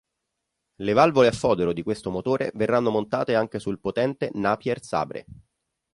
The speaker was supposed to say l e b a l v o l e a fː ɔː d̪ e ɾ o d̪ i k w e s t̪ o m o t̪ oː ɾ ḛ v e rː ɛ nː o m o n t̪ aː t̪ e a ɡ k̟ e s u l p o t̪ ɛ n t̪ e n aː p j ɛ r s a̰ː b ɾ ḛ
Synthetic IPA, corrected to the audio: l e v a l v o l e a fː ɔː d̪ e ɾ o d̪ i k w e s t̪ o m o t̪ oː ɾ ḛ v e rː a nː o m o n t̪ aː t̪ e a ŋ k̟ e s u l p o t̪ ɛ n t̪ e n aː p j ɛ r s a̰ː b ɾ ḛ